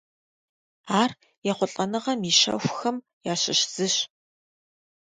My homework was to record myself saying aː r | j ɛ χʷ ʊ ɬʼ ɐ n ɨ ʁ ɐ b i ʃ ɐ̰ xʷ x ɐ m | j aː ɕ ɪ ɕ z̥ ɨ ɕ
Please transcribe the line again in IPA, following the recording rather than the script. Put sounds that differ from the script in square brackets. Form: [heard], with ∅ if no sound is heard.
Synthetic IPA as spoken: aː r | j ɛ χʷ ʊ ɬʼ ɐ n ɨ ʁ ɐ [m] i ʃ ɐ̰ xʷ x ɐ m | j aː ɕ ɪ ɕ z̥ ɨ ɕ